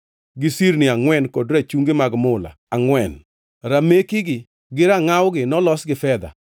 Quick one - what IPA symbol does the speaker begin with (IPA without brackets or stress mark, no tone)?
ɡ